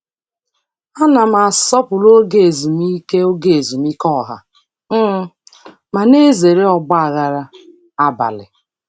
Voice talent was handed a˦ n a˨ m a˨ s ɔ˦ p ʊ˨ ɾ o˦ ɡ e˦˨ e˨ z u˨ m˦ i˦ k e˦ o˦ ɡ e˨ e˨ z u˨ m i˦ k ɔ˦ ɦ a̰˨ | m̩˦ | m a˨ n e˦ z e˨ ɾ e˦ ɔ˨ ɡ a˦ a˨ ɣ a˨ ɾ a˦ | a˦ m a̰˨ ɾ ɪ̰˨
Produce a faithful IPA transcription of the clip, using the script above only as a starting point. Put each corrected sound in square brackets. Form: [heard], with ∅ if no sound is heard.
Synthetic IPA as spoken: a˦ n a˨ m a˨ s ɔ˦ p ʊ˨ [l] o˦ ɡ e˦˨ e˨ z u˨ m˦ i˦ k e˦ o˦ ɡ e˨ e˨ z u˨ m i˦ k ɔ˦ ɦ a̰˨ | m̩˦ | m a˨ n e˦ z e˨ ɾ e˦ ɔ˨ [ɡ͡b] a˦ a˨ ɣ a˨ ɾ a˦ | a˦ [b] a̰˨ [l] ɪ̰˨